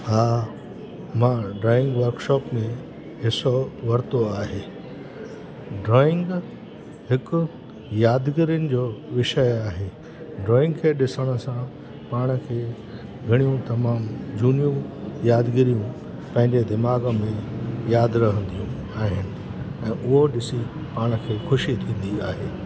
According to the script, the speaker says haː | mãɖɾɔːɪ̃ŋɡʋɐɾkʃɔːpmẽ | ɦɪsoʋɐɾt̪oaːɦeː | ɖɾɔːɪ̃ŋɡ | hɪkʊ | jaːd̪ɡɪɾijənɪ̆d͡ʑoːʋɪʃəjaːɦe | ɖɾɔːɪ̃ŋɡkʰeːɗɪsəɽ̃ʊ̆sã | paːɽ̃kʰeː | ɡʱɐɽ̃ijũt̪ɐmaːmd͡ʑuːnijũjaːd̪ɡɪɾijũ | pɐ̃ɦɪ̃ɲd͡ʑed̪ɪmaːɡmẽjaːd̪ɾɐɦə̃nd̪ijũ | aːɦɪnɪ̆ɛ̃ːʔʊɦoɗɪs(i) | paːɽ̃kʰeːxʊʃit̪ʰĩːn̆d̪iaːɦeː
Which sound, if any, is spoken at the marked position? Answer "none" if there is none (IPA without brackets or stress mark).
i